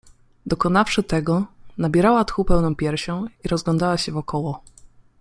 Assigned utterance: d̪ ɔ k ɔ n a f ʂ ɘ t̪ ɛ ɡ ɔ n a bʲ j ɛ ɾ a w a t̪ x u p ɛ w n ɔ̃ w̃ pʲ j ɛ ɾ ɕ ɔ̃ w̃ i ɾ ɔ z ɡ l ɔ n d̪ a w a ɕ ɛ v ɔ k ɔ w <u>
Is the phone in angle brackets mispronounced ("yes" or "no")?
yes